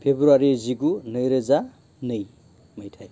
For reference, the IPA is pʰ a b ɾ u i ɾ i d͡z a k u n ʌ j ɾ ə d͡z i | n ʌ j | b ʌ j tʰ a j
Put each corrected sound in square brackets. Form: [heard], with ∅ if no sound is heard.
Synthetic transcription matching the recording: pʰ [e] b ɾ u [a] ɾ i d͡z [i] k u n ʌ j ɾ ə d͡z [a] | n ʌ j | [m] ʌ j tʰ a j